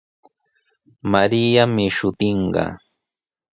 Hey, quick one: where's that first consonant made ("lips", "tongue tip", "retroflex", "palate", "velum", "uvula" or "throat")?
lips